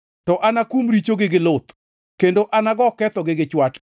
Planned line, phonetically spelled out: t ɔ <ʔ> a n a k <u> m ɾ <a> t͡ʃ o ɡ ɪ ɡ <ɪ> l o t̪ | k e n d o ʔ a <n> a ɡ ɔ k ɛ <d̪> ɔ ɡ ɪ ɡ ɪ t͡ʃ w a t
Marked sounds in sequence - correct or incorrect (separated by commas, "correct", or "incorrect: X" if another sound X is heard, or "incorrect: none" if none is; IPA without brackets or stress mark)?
correct, correct, incorrect: i, correct, correct, incorrect: t̪